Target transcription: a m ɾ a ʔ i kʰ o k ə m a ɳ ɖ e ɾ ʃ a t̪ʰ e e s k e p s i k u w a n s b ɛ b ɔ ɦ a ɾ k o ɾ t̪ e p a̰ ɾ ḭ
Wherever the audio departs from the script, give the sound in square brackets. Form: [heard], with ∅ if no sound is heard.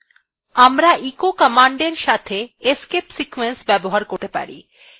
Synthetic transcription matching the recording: a m ɾ a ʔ i [k] o k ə m a ɳ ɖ e ɾ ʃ a t̪ʰ e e s k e p s i k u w [e] n s b ɛ b [o] ɦ a ɾ k o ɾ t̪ e p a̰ ɾ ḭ